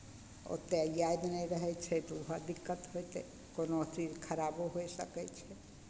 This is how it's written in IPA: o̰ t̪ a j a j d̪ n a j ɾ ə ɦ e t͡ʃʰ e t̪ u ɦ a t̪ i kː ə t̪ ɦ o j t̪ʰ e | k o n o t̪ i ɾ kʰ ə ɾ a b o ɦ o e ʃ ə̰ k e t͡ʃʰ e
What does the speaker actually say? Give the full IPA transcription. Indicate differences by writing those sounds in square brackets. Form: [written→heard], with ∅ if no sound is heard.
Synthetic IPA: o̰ t̪ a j a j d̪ n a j ɾ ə ɦ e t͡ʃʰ e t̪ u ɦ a [t̪→d̪] i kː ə t̪ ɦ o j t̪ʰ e | k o n o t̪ i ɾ kʰ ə ɾ a b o ɦ o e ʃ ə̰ k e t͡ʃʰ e